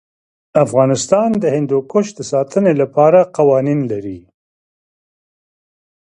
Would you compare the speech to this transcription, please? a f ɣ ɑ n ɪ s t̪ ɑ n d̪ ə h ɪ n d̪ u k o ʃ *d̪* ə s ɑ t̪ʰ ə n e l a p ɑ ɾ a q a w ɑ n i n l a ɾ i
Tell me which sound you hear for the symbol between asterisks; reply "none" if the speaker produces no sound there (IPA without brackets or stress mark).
d̪